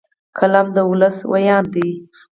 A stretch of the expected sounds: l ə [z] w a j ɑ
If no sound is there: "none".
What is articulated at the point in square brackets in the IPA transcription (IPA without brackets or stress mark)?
s